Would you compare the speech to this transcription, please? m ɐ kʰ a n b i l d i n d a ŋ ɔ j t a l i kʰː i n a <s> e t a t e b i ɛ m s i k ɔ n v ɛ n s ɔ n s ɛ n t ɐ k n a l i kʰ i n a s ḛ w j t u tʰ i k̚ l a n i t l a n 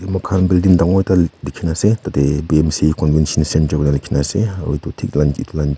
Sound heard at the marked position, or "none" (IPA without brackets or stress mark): s